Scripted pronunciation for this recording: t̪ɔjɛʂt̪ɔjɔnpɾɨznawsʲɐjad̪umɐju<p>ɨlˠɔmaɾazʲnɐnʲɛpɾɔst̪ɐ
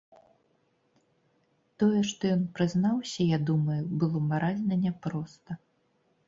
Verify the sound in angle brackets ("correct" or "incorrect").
incorrect